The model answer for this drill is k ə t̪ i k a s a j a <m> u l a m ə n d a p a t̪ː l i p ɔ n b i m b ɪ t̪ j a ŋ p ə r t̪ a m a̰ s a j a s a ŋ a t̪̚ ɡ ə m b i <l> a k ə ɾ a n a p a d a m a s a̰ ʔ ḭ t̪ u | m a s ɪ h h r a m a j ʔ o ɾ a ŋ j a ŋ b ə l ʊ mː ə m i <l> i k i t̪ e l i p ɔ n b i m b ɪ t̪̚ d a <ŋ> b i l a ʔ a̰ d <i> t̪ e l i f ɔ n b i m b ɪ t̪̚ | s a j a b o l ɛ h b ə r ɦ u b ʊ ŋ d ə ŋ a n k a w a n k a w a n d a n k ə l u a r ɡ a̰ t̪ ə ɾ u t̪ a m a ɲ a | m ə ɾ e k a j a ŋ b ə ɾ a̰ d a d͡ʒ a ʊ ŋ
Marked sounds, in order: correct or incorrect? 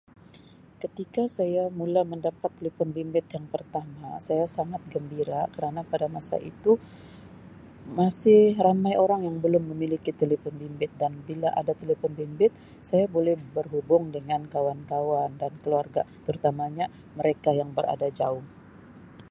correct, incorrect, correct, incorrect, incorrect

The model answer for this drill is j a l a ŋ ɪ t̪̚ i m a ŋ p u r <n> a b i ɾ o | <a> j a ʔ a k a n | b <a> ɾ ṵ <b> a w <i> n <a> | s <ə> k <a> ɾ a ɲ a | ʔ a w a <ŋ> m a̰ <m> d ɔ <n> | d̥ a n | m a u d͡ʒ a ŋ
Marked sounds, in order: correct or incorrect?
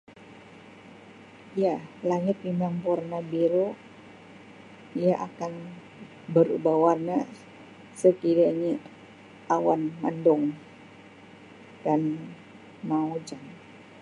correct, incorrect, incorrect, correct, incorrect, correct, correct, incorrect, incorrect, incorrect, incorrect

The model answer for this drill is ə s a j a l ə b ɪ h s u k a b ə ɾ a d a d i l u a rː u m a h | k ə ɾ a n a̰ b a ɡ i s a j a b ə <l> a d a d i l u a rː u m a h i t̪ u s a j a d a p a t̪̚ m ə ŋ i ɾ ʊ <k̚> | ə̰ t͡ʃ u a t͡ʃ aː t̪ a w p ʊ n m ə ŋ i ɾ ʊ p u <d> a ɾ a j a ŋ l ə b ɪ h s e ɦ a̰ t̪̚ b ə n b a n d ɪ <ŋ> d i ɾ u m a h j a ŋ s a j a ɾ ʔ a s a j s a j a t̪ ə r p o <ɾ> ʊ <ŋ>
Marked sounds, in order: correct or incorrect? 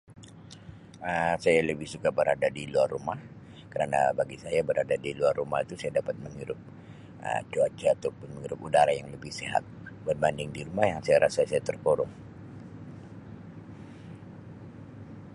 incorrect, incorrect, correct, correct, correct, correct

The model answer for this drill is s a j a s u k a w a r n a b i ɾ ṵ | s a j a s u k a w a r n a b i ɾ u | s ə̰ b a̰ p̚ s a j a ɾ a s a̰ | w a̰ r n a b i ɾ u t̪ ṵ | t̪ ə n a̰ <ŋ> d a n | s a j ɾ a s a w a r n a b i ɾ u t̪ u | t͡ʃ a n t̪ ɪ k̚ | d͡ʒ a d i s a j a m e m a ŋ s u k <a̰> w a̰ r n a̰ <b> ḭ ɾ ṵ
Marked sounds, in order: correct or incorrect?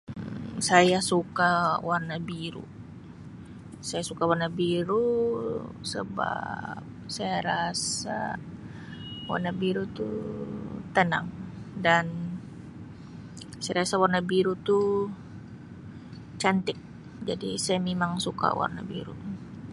correct, correct, correct

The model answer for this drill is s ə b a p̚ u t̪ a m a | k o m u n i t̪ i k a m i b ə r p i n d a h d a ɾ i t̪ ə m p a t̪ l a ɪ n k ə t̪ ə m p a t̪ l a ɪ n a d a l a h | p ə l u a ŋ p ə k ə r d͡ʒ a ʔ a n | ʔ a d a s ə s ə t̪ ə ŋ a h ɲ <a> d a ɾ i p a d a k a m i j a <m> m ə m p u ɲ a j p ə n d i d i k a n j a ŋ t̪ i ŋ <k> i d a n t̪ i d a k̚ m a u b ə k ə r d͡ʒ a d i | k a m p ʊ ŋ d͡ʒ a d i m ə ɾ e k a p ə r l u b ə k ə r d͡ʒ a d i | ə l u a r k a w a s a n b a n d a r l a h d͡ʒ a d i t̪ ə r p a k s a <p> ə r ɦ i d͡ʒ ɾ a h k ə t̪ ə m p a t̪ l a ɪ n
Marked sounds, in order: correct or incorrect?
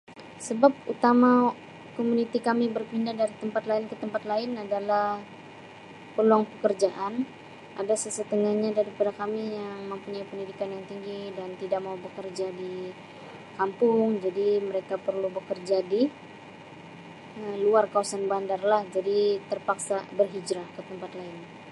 correct, incorrect, incorrect, incorrect

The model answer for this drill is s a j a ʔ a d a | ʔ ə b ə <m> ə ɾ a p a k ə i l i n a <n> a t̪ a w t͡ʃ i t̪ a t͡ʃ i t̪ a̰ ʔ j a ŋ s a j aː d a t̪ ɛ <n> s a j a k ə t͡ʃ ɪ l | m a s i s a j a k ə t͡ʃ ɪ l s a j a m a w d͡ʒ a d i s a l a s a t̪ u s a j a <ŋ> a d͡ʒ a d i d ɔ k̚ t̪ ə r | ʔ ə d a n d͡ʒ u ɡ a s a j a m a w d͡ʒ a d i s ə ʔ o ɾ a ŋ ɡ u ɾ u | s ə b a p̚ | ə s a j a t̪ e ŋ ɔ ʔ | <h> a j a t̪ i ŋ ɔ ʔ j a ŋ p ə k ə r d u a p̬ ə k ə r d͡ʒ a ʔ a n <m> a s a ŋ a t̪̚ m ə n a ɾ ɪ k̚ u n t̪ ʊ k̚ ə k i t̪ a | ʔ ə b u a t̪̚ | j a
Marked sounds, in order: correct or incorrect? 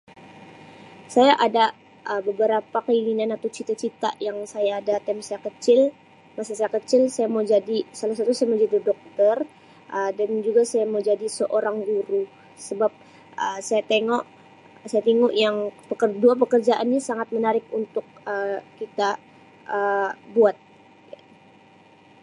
incorrect, correct, incorrect, incorrect, incorrect, incorrect

